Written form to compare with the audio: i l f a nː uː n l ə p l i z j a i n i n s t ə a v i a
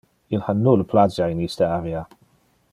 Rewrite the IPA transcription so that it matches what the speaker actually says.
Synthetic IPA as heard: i l h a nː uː l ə pʰ l a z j a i n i s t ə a v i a